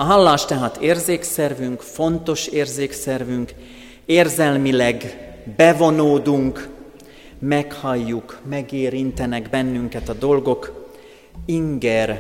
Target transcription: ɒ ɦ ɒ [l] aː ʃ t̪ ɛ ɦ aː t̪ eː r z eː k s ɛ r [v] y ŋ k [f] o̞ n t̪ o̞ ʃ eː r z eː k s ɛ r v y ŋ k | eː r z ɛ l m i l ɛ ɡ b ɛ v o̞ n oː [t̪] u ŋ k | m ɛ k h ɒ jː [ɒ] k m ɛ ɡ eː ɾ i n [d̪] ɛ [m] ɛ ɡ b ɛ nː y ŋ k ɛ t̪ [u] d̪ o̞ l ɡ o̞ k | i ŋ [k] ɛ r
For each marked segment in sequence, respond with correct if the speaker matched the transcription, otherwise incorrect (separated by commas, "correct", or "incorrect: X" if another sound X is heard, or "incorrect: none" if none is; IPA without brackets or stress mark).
incorrect: lː, correct, correct, incorrect: d̪, incorrect: u, incorrect: t̪, incorrect: n, incorrect: ɒ, incorrect: ɡ